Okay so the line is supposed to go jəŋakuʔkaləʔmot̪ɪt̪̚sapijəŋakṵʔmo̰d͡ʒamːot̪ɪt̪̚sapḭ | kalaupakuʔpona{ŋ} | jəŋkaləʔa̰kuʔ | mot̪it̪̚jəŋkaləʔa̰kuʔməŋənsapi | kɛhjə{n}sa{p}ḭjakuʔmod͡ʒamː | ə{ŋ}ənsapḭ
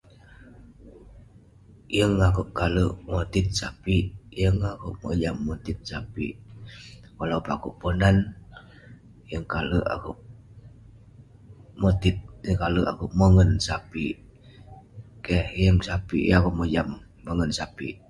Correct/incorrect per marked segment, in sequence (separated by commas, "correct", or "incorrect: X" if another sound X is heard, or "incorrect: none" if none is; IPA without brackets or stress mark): incorrect: n, incorrect: ŋ, correct, correct